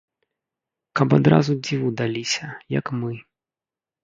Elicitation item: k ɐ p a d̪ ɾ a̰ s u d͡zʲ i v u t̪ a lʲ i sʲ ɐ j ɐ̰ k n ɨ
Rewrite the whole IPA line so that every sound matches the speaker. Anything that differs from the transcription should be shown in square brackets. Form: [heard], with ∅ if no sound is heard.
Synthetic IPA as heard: k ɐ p a d̪ ɾ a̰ [z] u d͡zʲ i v u [d̪] a lʲ i sʲ ɐ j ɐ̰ k [m] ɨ